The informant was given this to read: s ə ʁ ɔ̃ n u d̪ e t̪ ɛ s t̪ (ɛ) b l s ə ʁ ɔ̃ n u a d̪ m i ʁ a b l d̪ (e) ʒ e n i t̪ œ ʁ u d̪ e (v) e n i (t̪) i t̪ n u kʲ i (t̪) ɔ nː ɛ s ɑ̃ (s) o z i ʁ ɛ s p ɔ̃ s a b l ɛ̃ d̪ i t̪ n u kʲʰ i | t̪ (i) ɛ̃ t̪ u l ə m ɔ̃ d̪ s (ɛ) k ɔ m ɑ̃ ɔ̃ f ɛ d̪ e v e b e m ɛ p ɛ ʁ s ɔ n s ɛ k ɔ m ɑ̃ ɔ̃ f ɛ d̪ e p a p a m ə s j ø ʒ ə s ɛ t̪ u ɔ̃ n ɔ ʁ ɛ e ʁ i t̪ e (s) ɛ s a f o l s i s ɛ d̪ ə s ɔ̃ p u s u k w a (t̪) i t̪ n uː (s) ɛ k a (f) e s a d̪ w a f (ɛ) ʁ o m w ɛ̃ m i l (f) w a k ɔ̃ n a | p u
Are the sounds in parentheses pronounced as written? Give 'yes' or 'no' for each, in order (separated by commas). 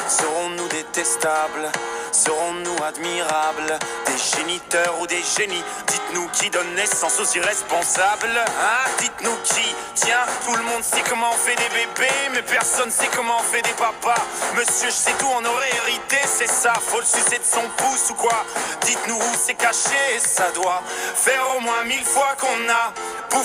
no, yes, no, no, no, yes, no, yes, yes, no, yes, no, yes, yes